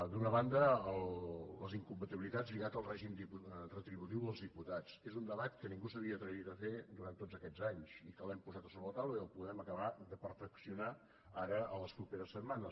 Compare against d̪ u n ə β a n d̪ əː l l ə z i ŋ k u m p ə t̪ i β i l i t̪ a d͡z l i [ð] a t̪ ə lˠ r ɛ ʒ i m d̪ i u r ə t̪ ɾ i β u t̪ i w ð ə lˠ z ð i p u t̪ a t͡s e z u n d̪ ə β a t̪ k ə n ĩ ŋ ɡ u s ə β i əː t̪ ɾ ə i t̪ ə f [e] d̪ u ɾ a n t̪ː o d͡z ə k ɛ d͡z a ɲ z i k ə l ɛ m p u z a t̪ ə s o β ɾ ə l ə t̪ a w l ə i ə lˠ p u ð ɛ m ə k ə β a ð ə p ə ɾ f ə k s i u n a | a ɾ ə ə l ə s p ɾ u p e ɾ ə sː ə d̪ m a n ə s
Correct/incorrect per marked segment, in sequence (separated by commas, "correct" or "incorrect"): incorrect, correct